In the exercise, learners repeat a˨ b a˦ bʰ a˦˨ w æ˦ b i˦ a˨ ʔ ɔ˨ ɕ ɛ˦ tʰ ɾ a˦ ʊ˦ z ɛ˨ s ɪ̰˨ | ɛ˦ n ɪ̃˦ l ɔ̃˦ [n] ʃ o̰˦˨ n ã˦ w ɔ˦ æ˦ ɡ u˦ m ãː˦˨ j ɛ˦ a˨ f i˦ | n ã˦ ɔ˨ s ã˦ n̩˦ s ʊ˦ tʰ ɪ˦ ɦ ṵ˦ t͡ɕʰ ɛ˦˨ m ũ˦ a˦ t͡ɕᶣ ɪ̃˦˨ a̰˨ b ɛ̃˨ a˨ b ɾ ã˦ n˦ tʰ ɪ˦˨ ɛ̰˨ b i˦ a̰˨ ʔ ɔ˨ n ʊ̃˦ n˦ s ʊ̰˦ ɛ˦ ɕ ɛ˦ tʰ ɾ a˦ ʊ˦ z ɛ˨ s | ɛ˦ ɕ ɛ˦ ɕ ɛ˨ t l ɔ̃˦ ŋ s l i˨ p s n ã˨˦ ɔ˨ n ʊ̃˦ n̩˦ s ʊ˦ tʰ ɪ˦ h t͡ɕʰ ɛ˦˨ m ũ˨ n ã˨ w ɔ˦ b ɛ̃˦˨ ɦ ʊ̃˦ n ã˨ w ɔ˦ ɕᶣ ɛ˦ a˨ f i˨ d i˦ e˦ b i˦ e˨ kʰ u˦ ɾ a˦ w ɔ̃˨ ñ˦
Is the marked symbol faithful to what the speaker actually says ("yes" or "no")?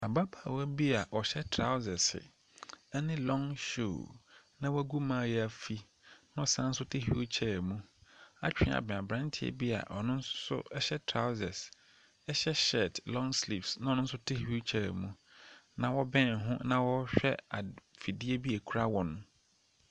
no